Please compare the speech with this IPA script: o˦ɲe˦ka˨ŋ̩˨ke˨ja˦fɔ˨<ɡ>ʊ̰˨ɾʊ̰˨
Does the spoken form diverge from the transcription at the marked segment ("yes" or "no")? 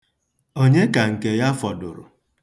yes